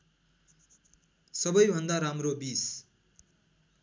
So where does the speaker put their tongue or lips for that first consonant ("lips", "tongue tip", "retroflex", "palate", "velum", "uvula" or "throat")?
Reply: tongue tip